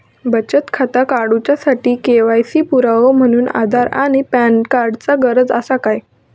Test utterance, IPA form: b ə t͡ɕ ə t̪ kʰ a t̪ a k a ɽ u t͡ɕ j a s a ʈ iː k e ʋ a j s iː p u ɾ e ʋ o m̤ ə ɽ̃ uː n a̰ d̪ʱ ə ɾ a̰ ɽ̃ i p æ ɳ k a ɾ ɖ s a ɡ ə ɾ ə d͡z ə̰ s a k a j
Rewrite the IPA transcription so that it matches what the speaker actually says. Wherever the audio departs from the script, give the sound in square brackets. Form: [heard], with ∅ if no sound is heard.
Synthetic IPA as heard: b ə t͡ɕ ə t̪ kʰ a t̪ a k a ɽ u t͡ɕ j a s a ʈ iː k e ʋ a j s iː p u ɾ [a] ʋ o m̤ ə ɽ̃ uː n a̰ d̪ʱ [a] ɾ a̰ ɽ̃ i p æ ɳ k a ɾ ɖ [t͡s] a ɡ ə ɾ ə d͡z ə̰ s a k a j